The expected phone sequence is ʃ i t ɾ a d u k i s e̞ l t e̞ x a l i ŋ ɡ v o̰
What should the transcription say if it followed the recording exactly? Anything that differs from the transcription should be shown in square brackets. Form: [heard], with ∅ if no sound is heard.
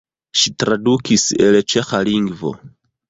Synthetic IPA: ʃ i t ɾ a d u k i s e̞ l [t͡ʃ] e̞ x a l i ŋ ɡ v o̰